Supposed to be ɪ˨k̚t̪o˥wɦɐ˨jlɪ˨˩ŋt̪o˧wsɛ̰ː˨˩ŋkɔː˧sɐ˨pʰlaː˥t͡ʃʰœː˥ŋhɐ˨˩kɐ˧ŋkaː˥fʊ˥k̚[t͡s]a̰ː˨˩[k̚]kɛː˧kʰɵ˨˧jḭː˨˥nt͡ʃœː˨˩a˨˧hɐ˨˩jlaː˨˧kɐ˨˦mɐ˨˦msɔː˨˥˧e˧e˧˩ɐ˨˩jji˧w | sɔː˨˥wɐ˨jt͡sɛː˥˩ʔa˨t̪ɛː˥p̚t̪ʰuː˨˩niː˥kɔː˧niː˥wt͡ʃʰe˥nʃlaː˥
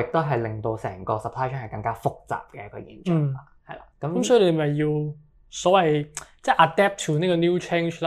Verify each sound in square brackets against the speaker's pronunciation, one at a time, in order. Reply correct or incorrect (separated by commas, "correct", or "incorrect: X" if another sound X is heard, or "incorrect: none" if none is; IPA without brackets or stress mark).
correct, incorrect: p̚